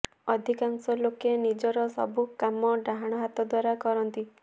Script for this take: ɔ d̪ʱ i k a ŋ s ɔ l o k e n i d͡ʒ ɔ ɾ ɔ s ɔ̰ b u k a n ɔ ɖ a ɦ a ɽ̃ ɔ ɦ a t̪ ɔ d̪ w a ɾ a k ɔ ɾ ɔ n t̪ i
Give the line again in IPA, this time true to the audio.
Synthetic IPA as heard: ɔ d̪ʱ i k a ŋ s ɔ l o k e n i d͡ʒ ɔ ɾ ɔ s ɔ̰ b u k a m ɔ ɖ a ɦ a ɽ̃ ɔ ɦ a t̪ ɔ d̪ w a ɾ a k ɔ ɾ ɔ n t̪ i